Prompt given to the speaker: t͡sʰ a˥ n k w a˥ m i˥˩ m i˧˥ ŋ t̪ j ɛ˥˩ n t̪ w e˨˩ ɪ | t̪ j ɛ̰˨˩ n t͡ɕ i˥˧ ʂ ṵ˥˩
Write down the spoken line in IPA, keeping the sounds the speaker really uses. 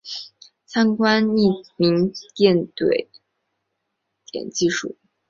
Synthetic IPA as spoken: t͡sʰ a˥ n k w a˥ n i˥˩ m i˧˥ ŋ t̪ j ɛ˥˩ n t̪ w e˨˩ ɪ | t̪ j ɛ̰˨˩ n t͡ɕ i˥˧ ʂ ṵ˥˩